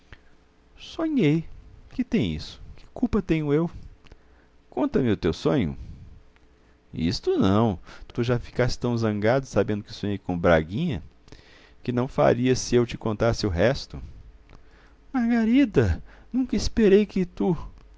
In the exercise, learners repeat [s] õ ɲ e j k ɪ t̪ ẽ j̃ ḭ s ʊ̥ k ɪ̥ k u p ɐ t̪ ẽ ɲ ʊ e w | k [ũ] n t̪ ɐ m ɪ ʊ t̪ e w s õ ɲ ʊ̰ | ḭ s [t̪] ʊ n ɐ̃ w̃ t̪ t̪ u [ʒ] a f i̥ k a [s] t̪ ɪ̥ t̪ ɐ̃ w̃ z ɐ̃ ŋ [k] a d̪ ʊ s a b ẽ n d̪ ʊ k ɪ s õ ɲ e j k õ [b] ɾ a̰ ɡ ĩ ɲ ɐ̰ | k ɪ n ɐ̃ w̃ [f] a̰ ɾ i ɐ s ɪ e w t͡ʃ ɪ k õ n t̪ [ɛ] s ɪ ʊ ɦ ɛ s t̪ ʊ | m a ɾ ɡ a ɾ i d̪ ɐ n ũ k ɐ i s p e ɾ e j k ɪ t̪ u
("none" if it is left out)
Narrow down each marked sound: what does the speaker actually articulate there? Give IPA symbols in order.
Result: s, õ, t̪, ʒ, s, ɡ, b, f, a

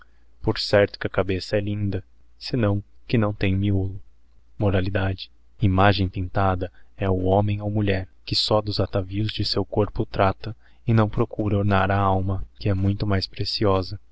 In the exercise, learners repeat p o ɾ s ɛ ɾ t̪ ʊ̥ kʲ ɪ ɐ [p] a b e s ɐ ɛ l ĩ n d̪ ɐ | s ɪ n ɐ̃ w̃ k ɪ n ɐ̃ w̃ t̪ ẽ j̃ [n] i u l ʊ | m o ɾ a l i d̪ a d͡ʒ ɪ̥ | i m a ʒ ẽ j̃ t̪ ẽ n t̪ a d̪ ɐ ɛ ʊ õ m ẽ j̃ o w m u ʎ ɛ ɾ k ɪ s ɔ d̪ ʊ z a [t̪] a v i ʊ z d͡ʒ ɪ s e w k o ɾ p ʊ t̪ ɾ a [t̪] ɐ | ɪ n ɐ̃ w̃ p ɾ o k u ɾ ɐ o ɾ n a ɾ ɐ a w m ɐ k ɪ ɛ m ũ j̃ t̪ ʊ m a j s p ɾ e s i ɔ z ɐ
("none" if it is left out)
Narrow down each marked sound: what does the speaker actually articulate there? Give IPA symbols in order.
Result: k, m, t̪, t̪

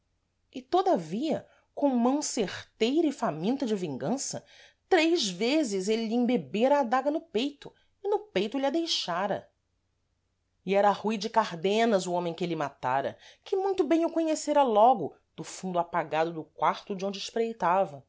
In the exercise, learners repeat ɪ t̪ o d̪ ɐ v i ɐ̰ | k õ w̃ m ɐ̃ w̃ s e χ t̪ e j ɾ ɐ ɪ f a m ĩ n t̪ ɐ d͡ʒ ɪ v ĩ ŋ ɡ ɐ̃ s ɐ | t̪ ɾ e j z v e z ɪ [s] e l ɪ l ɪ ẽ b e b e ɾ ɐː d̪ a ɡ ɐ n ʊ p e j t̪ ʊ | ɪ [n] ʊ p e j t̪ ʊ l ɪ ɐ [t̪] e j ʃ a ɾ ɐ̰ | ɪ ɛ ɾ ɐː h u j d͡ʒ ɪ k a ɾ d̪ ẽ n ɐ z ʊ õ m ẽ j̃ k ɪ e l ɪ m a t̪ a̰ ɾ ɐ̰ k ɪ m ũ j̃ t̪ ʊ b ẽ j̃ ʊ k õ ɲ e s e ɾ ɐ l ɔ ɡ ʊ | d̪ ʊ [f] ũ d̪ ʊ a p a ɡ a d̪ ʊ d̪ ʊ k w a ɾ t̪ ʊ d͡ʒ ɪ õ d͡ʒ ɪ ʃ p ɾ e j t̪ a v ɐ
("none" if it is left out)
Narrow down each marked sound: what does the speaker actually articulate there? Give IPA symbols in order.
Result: z, n, d̪, f

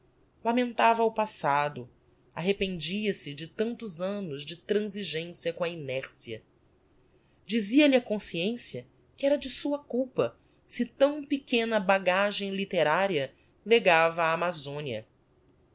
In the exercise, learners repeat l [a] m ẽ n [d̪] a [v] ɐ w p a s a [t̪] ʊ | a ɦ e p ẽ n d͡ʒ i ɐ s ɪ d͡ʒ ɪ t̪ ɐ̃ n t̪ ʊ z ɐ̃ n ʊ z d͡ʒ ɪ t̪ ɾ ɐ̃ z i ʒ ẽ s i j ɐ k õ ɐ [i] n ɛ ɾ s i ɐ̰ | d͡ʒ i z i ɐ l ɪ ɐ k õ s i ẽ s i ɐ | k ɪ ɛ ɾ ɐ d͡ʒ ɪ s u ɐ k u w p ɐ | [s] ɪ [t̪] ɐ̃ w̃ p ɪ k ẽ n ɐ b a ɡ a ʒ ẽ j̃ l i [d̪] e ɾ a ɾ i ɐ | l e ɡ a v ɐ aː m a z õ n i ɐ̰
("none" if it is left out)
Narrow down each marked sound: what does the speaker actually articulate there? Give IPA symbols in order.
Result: a, t̪, v, d̪, i, s, t̪, t̪

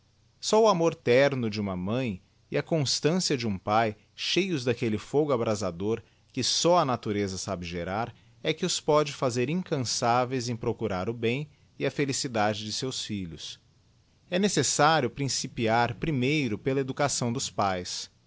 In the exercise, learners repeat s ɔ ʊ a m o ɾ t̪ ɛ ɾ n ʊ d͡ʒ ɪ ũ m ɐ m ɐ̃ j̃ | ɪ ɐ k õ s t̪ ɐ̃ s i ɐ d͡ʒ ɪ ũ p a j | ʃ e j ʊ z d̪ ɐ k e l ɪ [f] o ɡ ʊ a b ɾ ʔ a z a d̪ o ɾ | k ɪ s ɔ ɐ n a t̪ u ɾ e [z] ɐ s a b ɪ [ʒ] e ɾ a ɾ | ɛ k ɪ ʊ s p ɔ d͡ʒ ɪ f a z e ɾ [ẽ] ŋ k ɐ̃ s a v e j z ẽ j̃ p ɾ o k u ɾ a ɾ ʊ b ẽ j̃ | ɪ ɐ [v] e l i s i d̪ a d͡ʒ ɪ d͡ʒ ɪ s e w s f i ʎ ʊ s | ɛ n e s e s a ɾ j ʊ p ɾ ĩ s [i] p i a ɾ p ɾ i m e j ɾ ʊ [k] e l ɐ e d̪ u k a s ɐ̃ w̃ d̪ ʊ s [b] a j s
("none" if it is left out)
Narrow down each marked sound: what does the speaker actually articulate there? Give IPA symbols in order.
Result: f, z, ʒ, ĩ, f, i, p, p

